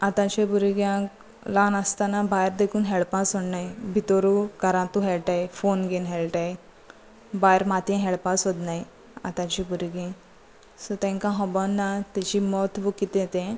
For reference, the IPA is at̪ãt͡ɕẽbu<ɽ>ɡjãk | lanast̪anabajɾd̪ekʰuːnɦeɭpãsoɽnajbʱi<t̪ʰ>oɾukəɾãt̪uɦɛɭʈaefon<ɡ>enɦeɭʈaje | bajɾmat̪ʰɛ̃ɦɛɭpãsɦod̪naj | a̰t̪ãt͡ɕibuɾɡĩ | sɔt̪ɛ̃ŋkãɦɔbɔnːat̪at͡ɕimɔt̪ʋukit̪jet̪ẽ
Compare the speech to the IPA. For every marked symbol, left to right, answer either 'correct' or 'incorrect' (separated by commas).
incorrect, incorrect, correct